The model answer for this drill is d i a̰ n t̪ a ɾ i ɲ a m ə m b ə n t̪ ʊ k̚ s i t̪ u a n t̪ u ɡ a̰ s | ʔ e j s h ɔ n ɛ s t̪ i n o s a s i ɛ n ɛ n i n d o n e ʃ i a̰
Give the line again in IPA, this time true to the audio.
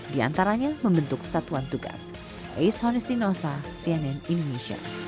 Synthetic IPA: d i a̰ n t̪ a ɾ a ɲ a m ə m b ə n t̪ ʊ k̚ s a t̪ u a n t̪ u ɡ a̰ s | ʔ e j s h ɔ n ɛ s t̪ i n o s a s i ɛ n ɛ n i n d o n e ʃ i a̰